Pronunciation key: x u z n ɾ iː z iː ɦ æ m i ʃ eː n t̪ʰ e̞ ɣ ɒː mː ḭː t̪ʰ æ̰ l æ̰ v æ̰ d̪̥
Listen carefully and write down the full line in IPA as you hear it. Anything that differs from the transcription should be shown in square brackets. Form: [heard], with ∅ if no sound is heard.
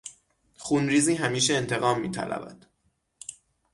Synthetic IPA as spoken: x u [∅] n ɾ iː z iː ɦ æ m [iː] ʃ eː n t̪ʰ e̞ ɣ ɒː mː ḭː t̪ʰ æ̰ l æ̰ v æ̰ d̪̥